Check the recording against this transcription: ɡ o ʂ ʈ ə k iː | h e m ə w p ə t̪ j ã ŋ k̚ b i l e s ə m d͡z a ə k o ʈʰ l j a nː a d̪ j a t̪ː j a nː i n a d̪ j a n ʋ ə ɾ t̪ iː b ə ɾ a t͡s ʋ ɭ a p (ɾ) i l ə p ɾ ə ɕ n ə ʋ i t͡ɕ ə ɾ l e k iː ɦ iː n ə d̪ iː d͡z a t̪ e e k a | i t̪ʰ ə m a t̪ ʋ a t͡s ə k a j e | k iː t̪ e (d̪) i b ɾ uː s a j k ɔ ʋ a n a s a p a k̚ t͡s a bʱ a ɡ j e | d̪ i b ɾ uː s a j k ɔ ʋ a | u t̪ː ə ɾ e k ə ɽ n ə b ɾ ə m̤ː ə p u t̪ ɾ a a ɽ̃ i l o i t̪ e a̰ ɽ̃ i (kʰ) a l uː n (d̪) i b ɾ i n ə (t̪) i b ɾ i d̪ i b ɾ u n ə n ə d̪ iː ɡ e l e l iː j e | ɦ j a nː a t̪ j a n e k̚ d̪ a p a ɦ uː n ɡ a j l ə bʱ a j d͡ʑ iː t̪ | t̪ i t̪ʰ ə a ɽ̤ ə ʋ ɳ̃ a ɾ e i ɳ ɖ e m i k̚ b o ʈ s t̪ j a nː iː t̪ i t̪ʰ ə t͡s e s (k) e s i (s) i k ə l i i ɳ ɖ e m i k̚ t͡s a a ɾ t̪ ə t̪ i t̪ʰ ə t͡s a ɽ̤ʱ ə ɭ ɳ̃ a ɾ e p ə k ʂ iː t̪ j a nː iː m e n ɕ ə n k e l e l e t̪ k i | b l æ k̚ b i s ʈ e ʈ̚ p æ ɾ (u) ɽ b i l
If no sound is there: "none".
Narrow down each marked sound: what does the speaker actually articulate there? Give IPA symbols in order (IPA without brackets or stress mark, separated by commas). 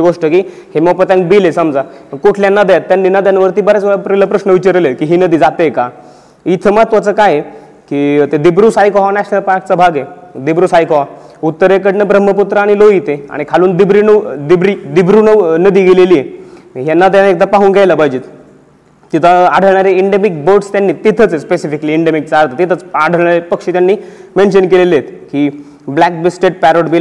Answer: ɾ, d̪, kʰ, d̪, d̪, p, f, o